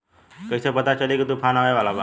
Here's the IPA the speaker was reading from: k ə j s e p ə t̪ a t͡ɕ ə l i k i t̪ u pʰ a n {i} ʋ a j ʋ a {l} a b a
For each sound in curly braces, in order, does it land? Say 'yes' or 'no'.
no, yes

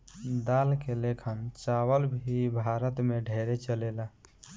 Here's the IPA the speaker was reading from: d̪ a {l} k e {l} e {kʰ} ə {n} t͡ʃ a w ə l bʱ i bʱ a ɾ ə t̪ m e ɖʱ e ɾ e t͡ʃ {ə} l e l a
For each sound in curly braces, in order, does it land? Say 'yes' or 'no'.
yes, yes, yes, yes, yes

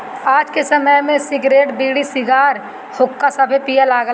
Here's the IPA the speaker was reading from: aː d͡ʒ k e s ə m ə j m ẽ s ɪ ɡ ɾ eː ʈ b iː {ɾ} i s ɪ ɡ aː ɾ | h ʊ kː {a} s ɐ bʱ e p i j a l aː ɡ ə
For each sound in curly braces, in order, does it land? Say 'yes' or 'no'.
no, yes

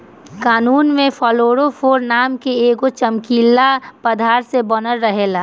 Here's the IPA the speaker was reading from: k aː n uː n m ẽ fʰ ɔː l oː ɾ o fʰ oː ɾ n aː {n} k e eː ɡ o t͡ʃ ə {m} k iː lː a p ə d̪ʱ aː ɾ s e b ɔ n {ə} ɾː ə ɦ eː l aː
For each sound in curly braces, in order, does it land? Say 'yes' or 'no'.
no, yes, yes

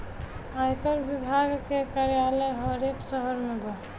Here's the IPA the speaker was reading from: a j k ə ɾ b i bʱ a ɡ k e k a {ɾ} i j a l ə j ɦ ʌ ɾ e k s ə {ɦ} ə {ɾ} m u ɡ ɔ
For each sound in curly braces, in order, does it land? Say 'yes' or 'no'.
yes, yes, yes

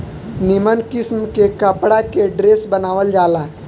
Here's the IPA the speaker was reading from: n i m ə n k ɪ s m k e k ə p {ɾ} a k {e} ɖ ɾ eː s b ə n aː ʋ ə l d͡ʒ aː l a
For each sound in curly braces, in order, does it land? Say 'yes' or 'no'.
no, yes

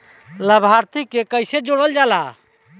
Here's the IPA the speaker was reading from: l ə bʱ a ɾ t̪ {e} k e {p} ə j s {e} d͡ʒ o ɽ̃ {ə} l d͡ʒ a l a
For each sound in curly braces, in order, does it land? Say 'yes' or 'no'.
no, no, yes, yes

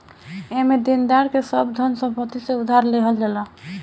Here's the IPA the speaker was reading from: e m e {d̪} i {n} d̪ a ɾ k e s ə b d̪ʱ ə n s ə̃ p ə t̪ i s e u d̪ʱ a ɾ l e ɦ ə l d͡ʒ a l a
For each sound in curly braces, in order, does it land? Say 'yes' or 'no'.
yes, yes

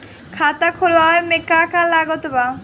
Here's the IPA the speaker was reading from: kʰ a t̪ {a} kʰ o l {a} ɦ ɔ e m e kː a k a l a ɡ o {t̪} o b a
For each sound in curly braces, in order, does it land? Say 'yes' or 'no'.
yes, yes, yes

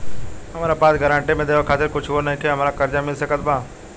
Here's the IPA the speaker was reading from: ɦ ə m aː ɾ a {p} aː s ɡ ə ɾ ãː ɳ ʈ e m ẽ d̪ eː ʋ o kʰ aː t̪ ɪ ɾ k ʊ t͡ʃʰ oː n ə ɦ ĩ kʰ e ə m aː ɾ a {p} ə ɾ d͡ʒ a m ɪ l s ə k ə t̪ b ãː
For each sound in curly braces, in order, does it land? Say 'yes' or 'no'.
yes, no

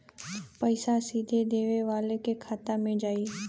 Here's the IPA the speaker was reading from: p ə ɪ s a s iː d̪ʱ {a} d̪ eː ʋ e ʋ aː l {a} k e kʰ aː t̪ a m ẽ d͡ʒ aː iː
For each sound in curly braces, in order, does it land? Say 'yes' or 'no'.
no, no

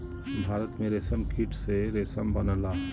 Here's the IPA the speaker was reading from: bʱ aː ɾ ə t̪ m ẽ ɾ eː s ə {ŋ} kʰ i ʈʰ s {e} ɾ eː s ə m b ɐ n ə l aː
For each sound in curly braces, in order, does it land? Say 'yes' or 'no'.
no, yes

